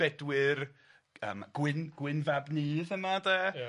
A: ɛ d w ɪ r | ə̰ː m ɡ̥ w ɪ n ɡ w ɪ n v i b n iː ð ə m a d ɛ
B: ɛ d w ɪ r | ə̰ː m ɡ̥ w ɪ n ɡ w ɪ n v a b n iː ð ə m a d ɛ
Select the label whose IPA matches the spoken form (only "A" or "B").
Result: B